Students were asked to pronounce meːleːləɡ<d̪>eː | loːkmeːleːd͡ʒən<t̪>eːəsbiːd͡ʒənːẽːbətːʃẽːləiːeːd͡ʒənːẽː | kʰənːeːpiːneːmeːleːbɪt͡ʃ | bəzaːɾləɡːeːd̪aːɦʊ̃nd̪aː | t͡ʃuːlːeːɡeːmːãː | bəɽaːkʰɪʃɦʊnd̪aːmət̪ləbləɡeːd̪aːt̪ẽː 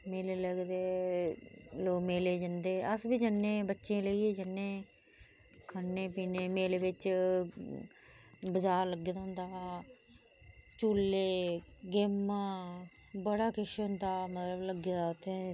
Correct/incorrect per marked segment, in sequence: correct, incorrect: d̪

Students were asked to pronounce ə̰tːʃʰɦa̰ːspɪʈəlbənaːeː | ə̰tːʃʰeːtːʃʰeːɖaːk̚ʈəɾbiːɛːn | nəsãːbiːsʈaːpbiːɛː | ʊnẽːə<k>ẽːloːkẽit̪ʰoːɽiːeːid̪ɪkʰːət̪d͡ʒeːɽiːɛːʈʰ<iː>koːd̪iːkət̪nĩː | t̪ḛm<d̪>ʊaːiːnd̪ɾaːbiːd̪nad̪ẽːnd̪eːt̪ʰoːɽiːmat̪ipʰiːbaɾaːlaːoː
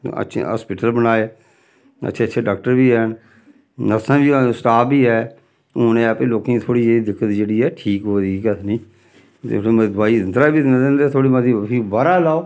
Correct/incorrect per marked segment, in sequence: incorrect: p, correct, correct

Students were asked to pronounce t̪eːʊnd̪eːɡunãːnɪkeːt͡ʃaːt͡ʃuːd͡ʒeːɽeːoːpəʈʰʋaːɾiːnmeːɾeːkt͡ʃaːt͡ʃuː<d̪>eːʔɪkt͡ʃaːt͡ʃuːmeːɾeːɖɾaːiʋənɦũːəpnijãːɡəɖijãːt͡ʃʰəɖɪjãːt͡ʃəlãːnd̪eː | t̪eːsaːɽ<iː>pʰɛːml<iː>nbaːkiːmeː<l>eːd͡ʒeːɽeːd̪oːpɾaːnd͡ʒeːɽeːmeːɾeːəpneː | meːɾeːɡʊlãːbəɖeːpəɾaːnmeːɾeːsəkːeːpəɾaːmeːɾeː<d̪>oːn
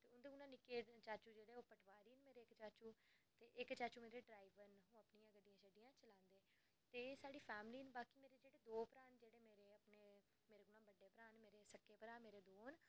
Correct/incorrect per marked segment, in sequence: incorrect: t̪, correct, correct, incorrect: ɾ, correct

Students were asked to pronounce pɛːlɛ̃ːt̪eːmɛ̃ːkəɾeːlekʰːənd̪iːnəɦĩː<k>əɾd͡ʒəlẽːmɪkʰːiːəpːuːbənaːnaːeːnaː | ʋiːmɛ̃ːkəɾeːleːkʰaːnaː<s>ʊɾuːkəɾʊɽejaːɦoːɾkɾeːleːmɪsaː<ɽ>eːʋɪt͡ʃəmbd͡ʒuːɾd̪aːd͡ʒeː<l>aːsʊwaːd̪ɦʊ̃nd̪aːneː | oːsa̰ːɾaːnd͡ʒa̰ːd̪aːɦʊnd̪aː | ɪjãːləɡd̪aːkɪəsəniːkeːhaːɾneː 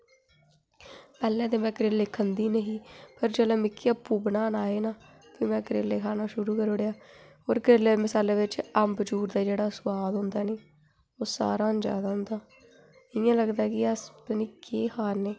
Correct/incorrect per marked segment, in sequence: incorrect: p, incorrect: ʃ, incorrect: l, incorrect: ɽ

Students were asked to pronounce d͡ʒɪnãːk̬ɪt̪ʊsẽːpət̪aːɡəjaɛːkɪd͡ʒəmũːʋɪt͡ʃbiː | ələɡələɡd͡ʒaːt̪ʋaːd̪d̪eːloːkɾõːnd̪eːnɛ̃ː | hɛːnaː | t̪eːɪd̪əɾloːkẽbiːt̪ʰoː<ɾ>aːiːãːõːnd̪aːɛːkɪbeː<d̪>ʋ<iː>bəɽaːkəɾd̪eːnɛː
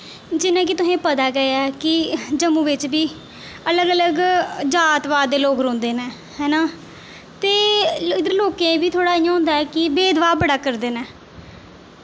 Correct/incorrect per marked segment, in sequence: incorrect: ɽ, correct, incorrect: aː

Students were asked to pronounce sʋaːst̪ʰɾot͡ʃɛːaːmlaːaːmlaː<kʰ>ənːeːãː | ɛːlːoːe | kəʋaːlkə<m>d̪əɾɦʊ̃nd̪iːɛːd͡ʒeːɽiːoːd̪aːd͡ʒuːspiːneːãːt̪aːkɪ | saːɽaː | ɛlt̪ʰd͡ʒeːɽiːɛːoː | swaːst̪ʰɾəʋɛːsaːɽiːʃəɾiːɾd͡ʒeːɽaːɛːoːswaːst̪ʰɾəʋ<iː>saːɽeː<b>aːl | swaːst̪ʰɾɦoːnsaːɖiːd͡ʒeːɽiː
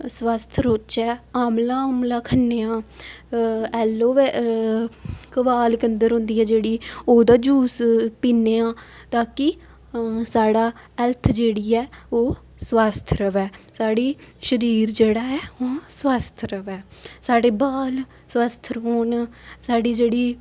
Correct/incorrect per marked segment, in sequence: correct, incorrect: n, incorrect: ɛː, correct

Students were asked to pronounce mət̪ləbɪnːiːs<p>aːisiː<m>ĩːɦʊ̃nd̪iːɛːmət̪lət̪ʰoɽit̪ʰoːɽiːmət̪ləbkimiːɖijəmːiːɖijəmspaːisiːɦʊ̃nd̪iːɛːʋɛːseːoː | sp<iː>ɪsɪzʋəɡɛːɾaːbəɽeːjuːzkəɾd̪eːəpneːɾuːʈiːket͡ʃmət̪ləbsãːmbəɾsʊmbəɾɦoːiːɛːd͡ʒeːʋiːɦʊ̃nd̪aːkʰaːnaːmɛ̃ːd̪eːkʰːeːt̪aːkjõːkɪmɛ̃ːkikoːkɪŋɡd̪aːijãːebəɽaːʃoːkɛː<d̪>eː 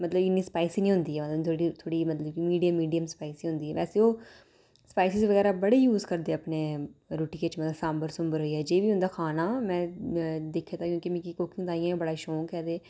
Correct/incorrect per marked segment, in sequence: correct, incorrect: n, incorrect: aː, correct

